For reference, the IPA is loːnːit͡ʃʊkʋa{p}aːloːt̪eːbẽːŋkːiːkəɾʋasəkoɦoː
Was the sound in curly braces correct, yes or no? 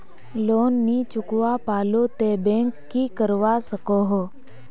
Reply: yes